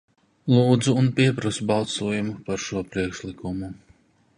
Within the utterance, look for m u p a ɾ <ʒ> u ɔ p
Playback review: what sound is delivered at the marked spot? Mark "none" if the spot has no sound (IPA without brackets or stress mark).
ʃ